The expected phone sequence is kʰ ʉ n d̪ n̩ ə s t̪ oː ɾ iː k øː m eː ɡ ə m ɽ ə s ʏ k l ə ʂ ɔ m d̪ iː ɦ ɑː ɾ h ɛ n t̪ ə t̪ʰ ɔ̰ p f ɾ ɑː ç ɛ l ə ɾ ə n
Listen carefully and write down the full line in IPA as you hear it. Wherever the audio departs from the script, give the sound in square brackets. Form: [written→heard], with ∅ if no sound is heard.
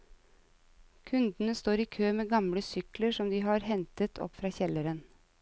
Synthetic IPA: kʰ ʉ n d̪ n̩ ə s t̪ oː ɾ iː [k→kʰ] øː m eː ɡ [ə→ɑ] m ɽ ə s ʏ k l ə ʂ ɔ m d̪ iː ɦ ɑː ɾ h ɛ n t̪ ə t̪ʰ ɔ̰ p f ɾ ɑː ç ɛ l ə ɾ ə n